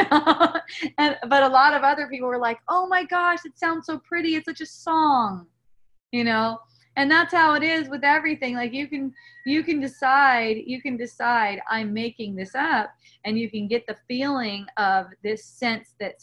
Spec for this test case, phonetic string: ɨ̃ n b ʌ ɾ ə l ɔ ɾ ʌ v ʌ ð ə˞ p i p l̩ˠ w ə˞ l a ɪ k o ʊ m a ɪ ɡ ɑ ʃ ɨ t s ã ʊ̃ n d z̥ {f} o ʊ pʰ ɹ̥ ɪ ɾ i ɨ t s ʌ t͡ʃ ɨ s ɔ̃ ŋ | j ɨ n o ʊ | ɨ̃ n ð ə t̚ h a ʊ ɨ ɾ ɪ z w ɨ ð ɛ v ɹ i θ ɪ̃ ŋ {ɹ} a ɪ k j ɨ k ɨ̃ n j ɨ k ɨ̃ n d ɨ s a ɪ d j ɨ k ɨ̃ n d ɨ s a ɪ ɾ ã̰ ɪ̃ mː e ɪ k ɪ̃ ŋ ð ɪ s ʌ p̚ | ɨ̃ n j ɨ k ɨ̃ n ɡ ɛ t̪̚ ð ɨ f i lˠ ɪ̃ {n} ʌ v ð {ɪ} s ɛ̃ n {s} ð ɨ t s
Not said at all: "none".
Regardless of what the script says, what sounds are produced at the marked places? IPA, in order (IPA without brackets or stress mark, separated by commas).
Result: s, l, ŋ, ɪ, s